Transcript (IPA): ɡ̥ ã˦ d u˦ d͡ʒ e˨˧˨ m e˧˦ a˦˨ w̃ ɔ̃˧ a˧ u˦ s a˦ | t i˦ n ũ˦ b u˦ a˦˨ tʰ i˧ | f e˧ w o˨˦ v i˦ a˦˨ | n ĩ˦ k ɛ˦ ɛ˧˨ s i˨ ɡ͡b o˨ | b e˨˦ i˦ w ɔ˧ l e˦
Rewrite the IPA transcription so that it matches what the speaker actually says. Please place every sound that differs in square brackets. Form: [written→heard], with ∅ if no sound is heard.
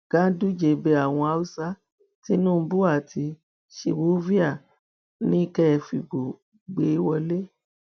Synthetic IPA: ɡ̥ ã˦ d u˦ d͡ʒ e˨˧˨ [m→b] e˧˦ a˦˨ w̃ ɔ̃˧ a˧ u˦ s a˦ | t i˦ n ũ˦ b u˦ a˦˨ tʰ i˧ | [f→ʃ] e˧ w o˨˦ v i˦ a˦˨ | n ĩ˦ k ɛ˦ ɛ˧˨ [s→f] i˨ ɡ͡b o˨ | [b→ɡ͡b] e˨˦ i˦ w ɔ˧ l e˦